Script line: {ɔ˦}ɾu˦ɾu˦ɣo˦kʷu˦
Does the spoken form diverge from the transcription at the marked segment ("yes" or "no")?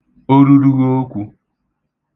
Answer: yes